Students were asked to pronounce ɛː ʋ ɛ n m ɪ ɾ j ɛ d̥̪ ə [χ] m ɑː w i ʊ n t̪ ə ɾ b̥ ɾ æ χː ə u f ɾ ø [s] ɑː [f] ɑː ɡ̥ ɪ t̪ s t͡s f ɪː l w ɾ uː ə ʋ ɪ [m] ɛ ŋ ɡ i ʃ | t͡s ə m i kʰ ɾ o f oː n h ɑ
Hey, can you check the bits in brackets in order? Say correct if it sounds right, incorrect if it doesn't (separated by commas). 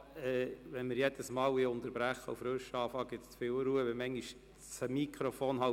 incorrect, incorrect, correct, correct